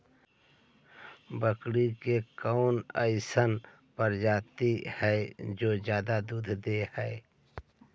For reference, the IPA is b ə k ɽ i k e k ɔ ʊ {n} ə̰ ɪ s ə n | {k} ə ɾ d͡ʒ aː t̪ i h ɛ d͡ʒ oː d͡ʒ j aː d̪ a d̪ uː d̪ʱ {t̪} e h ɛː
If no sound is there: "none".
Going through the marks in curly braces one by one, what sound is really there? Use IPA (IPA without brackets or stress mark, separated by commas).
n, p, d̪